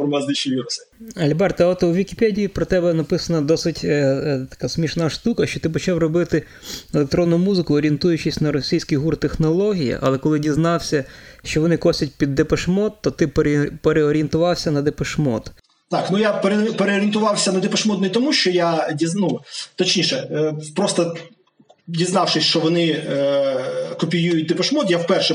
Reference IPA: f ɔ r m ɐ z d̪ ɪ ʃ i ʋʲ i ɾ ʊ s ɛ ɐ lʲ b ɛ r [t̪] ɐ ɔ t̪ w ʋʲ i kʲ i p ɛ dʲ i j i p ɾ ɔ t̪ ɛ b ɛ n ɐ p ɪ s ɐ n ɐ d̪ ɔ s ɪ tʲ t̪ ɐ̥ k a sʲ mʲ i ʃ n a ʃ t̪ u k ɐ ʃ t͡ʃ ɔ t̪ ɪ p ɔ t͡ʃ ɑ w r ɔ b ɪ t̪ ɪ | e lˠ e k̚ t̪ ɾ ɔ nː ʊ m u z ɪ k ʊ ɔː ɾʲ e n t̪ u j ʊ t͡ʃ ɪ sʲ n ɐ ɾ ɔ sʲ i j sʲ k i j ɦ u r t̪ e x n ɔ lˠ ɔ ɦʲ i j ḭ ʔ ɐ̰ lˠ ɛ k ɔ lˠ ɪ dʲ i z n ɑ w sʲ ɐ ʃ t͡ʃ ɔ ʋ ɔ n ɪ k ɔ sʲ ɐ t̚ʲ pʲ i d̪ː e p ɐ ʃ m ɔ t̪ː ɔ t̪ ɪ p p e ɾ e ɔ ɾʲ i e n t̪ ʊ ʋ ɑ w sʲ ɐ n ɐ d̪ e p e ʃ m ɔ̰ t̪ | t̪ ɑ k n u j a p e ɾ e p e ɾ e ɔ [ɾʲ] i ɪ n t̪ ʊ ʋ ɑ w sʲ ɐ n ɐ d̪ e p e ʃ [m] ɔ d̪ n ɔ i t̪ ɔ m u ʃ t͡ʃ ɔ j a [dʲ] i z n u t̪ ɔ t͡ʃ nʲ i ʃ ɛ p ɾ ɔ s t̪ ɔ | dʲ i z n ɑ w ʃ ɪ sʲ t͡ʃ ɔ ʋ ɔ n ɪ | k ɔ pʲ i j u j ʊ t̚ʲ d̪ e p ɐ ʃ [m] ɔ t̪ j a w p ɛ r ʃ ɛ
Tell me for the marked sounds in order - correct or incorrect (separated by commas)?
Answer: correct, correct, correct, correct, correct